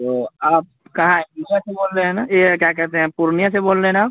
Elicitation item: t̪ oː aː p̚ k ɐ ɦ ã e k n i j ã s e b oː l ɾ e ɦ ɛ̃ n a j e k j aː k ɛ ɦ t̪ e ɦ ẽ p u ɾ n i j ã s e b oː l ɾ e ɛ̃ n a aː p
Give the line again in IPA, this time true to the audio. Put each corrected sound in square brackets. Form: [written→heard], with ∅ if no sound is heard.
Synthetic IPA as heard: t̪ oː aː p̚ k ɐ ɦ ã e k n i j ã s e b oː l ɾ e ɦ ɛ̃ n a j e k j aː k ɛ ɦ t̪ e ɦ [ẽ→ɛ̃] p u ɾ n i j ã s e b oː l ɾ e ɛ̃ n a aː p